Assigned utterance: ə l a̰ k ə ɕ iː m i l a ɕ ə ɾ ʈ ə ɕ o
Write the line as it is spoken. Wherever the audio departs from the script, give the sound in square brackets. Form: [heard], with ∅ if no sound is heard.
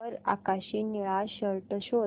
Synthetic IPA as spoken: ə [ɾ] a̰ k [a] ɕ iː [n] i [ɭ] a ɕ ə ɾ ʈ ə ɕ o